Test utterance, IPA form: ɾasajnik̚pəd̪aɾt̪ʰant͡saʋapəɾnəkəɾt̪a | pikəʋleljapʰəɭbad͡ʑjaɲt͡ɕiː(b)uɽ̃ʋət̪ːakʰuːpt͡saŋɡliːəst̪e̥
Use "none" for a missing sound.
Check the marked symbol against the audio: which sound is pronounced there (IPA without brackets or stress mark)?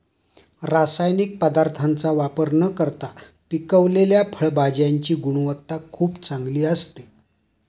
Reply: ɡ